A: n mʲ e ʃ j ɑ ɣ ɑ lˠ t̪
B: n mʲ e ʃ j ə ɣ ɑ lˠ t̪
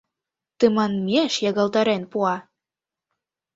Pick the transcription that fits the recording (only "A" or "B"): A